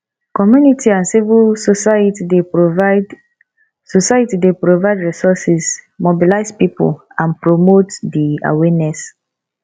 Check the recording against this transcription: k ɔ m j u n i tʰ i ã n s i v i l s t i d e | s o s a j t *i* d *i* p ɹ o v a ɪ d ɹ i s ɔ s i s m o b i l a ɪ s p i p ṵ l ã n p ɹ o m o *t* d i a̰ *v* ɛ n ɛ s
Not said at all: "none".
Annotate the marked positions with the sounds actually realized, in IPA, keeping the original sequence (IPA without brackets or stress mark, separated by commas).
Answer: i, e, t, w